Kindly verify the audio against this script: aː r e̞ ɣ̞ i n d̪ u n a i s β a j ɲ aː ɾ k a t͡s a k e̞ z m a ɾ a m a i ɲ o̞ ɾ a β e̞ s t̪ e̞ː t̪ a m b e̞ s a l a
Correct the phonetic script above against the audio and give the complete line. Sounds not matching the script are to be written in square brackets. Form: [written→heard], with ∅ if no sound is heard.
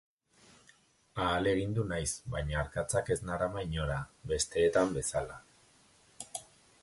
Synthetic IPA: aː [r→l] e̞ ɣ̞ i n d̪ u n a [i→j] s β a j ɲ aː ɾ k a t͡s a k e̞ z [m→n] a ɾ a m a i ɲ o̞ ɾ a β e̞ s t̪ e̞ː t̪ a m b e̞ s a l a